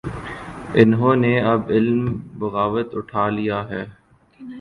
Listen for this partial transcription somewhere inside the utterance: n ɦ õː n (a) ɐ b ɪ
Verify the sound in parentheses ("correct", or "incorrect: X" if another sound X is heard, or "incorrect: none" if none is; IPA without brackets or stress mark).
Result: incorrect: e